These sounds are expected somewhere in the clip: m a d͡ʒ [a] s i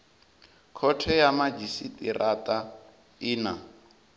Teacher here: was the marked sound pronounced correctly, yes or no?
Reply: no